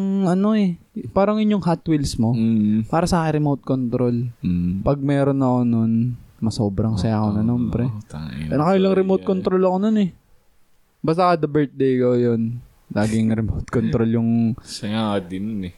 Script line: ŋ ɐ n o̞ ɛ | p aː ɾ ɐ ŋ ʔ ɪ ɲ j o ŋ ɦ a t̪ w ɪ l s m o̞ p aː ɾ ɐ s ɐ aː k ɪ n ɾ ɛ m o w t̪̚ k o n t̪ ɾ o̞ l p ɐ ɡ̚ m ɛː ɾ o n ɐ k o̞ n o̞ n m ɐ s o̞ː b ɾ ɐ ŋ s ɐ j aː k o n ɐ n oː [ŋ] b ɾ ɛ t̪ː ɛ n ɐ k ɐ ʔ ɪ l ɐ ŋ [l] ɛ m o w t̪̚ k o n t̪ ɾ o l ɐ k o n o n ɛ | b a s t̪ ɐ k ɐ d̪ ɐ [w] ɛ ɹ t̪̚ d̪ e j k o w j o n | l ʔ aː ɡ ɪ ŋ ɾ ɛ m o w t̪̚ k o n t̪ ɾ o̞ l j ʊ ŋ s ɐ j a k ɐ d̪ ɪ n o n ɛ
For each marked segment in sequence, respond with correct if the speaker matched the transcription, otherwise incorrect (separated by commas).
incorrect, incorrect, incorrect